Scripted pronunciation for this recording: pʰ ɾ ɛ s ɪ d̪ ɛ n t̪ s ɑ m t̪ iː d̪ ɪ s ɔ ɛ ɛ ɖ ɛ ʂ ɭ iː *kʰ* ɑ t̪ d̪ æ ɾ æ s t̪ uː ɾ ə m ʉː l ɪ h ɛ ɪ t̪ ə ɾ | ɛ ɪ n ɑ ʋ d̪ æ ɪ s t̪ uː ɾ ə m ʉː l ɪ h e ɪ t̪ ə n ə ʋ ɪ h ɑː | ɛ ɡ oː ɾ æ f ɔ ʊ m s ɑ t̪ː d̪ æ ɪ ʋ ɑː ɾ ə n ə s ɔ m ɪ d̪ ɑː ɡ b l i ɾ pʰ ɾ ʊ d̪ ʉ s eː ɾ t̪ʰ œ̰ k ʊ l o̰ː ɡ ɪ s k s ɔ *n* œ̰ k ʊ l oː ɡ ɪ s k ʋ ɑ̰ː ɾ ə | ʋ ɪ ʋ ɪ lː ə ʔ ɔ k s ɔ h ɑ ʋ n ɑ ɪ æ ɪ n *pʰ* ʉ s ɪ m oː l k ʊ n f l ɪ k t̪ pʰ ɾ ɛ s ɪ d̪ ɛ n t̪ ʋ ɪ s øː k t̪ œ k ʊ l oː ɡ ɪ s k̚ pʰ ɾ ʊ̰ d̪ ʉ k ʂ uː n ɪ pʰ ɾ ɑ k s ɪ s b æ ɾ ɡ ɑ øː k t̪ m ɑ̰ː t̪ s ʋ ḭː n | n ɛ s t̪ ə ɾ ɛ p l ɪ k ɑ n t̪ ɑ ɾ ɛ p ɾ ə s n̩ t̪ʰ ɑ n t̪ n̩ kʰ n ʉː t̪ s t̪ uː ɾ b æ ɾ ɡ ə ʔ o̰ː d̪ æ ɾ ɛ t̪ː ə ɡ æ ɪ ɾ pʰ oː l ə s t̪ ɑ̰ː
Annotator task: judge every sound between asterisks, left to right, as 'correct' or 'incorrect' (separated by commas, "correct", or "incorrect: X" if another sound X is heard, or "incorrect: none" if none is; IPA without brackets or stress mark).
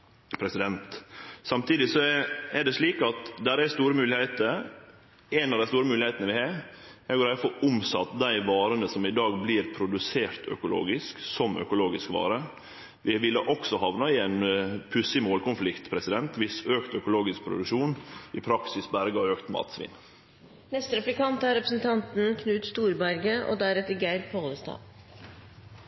incorrect: k, incorrect: m, correct